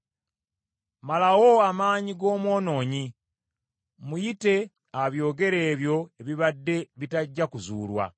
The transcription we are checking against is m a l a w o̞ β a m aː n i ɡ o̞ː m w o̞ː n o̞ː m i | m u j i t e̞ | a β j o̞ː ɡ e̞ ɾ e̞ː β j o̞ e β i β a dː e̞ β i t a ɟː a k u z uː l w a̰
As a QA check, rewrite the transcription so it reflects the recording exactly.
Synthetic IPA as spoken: m a l a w o̞ a m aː ɲ i ɡ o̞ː m w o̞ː n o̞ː ɲ i | m u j i t e̞ | a β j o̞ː ɡ e̞ ɾ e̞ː β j o̞ e β i β a dː e̞ β i t a ɟː a k u z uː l w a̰